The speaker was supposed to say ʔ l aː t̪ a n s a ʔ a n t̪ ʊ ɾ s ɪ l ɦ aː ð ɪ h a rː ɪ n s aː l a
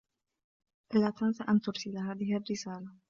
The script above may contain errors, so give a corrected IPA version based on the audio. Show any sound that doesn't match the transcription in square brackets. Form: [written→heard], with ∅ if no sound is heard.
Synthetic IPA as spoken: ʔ l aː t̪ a n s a ʔ a n t̪ ʊ ɾ s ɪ l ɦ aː ð ɪ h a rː ɪ [n→∅] s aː l a

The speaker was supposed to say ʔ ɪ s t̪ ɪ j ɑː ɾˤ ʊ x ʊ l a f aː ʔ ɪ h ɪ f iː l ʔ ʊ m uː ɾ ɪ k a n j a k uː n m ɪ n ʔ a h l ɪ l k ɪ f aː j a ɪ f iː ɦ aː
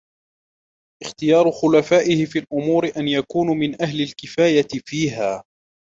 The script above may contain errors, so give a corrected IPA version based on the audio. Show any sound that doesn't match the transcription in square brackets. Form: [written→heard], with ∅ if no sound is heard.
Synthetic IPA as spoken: ʔ ɪ [s→x] t̪ ɪ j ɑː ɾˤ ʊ x ʊ l a f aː ʔ ɪ h ɪ f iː l ʔ ʊ m uː ɾ ɪ [k→ʔ] a n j a k uː n m ɪ n ʔ a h l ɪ l k ɪ f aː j a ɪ f iː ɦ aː

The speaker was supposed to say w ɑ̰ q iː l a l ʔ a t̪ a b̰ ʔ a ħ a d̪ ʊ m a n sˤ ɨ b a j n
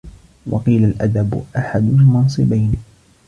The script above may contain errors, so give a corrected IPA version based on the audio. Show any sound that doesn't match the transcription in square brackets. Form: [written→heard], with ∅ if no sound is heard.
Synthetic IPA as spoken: w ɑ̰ q iː l a l ʔ a [t̪→d̪] a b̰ ʔ a ħ a d̪ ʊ m [a→ɑ] n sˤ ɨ b a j n

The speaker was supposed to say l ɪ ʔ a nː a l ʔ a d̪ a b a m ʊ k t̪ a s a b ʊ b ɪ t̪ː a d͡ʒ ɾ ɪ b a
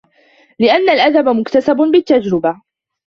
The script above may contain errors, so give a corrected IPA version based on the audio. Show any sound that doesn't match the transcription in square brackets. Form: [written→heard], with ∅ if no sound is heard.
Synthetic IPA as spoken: l ɪ ʔ a nː a l ʔ a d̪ a b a m ʊ k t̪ a s a b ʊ b ɪ t̪ː a d͡ʒ ɾ ɪ b a

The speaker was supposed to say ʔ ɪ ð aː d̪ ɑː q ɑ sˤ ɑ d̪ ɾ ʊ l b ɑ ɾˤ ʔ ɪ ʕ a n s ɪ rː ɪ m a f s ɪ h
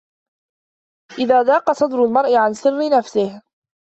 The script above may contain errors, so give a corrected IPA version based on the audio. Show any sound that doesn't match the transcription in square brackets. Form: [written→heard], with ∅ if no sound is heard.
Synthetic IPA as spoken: ʔ ɪ ð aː d̪ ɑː q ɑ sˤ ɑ d̪ ɾ ʊ l [b→m] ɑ ɾˤ ʔ ɪ ʕ a n s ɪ rː ɪ [m→n] a f s ɪ h

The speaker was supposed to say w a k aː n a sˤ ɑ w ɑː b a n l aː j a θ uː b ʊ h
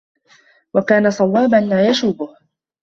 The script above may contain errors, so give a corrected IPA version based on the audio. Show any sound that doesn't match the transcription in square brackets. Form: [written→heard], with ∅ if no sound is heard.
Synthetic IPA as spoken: w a k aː n a sˤ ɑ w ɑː b a n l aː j a [θ→ʃ] uː b ʊ h

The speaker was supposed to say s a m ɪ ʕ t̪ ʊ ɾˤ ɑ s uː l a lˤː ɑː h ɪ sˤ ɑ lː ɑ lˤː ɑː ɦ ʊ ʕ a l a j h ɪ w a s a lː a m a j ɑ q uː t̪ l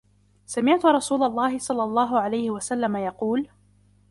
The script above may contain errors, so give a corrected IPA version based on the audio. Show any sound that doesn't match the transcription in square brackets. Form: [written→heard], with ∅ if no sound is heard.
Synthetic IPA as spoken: s a m ɪ ʕ t̪ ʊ ɾˤ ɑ s uː l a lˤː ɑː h ɪ sˤ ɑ lː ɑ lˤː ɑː ɦ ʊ ʕ a l a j h ɪ w a s a lː a m a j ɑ q uː [t̪→∅] l

